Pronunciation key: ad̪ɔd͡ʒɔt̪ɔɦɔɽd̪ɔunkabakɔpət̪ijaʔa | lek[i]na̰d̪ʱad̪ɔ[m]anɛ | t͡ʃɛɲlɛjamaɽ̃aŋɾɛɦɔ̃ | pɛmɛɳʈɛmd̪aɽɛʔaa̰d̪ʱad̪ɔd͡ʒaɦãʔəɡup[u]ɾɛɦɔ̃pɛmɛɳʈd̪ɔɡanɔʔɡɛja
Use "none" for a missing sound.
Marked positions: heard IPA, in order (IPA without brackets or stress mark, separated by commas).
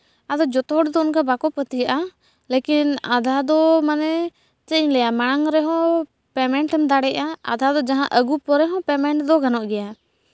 i, m, ɔ